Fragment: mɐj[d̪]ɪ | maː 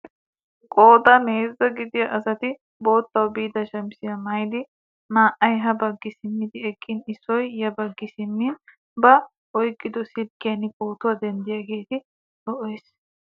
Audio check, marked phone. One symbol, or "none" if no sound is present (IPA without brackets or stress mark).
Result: d̪